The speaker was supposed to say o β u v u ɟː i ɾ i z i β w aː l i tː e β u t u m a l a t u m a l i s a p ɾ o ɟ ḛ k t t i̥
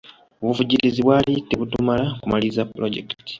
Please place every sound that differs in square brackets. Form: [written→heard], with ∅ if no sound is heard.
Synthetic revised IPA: o β u v u [ɟː→ɟ] i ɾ i z i β w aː l i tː e β u t u m a l a [t→k] u m a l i [s→z] a p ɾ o ɟ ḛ k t t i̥

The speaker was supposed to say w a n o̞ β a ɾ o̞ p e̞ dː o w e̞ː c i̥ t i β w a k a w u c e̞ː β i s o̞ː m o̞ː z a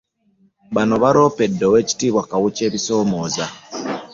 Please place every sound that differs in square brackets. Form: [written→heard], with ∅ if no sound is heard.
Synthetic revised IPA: [w→β] a n o̞ β a ɾ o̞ p e̞ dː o w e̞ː c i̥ t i β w a k a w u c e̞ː β i s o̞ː m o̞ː z a

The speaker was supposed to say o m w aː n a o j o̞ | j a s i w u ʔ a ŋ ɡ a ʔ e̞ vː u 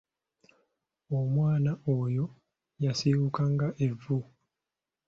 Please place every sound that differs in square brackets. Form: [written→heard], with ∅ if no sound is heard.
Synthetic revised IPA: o m w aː n a o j o̞ | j a s i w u [ʔ→k] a ŋ ɡ a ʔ e̞ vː u

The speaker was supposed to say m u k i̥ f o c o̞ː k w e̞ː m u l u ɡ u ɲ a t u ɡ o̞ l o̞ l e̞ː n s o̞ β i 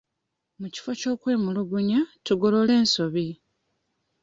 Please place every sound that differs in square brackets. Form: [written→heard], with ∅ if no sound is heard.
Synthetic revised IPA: m u [k→c] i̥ f o c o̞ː k w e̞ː m u l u ɡ u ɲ a t u ɡ o̞ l o̞ l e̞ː n s o̞ β i

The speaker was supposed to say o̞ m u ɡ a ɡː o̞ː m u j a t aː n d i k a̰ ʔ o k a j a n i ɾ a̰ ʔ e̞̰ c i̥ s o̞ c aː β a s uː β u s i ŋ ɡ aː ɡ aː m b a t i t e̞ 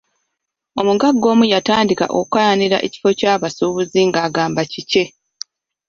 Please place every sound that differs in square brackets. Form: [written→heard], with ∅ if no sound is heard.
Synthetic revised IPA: o̞ m u ɡ a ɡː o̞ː m u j a t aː n d i k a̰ ʔ o k a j a n i ɾ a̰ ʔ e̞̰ c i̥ [s→f] o̞ c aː β a s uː β u [s→z] i ŋ ɡ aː ɡ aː m b a [t→c] i [t→c] e̞

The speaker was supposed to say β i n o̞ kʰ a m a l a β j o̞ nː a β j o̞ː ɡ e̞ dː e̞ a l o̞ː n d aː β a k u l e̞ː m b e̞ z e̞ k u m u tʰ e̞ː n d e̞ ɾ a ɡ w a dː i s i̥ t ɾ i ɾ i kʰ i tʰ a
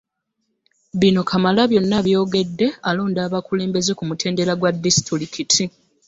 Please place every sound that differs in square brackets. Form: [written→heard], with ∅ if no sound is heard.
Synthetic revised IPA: β i n o̞ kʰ a m a l a β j o̞ nː a β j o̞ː ɡ e̞ dː e̞ a l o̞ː n d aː β a k u l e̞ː m b e̞ z e̞ k u m u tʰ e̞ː n d e̞ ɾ a ɡ w a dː i s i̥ t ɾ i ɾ i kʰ i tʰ [a→i]

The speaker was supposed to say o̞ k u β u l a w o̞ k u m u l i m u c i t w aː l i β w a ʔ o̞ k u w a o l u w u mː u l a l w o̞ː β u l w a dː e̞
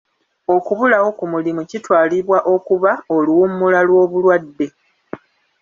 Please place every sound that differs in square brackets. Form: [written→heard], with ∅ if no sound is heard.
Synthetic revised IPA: o̞ k u β u l a w o̞ k u m u l i m u c i t w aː l i β w a ʔ o̞ k u [w→β] a o l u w u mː u l a l w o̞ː β u l w a dː e̞

